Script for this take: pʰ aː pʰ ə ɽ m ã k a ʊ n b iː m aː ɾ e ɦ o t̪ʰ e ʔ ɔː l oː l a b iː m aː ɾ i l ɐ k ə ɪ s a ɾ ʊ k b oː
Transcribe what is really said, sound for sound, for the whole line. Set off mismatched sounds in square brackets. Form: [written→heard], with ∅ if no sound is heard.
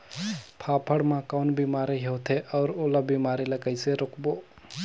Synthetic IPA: pʰ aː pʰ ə ɽ m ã k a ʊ n b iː m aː ɾ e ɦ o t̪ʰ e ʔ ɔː [l→ɾ] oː l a b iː m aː ɾ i l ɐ k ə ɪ s [a→e] ɾ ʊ k b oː